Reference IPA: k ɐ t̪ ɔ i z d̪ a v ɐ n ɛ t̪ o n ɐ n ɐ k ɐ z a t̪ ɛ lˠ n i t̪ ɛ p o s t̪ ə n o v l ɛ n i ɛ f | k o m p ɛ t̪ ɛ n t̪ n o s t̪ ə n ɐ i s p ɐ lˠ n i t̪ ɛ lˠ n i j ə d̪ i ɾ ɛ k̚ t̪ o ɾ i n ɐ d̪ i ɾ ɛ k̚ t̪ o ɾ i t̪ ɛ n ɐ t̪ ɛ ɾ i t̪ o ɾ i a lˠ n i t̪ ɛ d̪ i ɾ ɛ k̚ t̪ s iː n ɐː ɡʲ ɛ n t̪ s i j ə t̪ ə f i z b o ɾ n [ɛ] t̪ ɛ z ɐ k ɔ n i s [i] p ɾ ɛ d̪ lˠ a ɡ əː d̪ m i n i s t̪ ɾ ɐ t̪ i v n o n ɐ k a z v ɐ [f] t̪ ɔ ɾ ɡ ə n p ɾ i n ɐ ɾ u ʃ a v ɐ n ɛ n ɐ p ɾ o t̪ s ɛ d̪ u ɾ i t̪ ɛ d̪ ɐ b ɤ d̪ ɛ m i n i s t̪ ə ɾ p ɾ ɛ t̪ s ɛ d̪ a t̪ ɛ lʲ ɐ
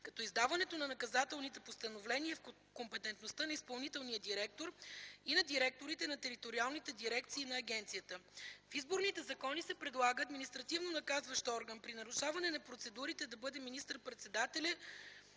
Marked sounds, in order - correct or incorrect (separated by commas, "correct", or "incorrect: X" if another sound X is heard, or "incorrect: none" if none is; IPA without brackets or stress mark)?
incorrect: i, incorrect: ɛ, incorrect: ʃ